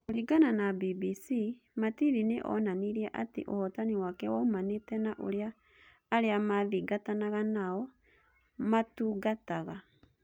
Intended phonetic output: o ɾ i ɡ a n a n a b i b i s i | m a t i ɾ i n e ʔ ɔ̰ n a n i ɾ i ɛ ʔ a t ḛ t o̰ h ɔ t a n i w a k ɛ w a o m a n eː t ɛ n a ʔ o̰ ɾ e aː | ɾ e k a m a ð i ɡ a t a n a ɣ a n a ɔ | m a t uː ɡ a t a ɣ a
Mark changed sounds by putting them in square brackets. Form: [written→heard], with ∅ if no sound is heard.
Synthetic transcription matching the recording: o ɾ i ɡ a n a n a b i b i s i | m a t i ɾ i n e ʔ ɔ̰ n a n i ɾ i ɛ ʔ a t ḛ [t→ʔ] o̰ h ɔ t a n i w a k ɛ w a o m a n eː t ɛ n a ʔ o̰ ɾ e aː | ɾ e [k→∅] a m a ð i ɡ a t a n a ɣ a n a ɔ | m a t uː ɡ a t a ɣ a